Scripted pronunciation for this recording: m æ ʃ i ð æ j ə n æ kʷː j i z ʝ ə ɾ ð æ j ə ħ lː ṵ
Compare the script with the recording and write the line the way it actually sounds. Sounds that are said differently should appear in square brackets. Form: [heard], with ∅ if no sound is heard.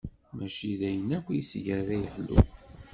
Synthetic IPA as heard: m æ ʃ i ð æ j ə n æ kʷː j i [s] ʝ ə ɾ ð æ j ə ħ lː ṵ